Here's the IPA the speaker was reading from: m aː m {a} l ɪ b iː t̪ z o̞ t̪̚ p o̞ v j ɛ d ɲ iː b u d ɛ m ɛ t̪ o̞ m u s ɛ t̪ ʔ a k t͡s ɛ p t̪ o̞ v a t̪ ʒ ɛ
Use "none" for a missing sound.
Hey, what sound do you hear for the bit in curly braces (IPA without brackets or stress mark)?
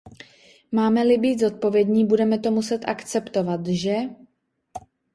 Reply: ɛ